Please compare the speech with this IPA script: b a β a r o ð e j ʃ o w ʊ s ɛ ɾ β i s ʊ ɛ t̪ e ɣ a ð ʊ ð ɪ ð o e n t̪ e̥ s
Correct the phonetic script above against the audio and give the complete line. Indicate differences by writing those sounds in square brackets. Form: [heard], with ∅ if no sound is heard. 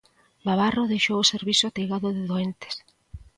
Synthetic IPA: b a β a r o ð e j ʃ o w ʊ s [e] ɾ β i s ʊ [a] t̪ e ɣ a ð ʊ ð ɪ ð o e n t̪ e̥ s